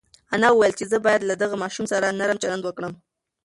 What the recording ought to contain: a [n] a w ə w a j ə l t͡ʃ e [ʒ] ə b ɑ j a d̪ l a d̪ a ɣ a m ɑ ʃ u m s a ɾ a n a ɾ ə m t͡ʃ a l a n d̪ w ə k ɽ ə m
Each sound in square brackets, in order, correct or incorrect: correct, incorrect

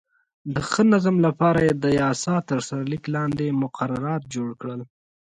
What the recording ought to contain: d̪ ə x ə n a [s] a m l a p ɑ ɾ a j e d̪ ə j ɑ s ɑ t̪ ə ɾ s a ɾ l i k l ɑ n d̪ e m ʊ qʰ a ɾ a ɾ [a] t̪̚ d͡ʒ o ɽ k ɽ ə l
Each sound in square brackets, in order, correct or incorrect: incorrect, incorrect

